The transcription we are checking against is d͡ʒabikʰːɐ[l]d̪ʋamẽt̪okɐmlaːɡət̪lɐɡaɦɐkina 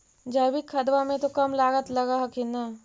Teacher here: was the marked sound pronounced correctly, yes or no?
no